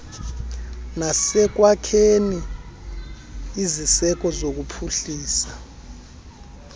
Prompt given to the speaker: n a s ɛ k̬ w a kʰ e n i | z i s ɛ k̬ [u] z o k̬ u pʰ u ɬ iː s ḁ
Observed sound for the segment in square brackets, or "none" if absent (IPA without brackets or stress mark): ɔ